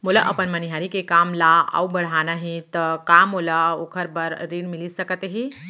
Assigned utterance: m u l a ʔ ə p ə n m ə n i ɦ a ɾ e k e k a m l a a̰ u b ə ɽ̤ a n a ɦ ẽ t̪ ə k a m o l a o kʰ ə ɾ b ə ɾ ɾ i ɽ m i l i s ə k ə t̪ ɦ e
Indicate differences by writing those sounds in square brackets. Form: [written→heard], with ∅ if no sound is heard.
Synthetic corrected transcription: m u l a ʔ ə p ə n m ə n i ɦ a ɾ [e→i] k e k a m l a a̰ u b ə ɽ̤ a n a ɦ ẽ t̪ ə k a m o l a o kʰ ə ɾ b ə ɾ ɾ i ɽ m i l i s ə k ə t̪ ɦ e